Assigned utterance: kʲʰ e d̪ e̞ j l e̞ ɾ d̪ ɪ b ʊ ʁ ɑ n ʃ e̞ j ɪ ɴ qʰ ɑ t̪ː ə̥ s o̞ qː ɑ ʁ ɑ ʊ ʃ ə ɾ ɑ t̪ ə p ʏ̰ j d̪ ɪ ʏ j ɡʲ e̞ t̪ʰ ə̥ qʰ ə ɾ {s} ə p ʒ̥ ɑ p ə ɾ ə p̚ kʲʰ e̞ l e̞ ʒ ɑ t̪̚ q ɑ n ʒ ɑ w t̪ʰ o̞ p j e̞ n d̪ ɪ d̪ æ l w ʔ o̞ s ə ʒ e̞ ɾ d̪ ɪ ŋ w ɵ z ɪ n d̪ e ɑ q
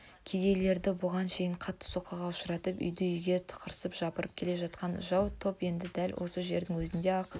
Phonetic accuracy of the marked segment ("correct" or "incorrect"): correct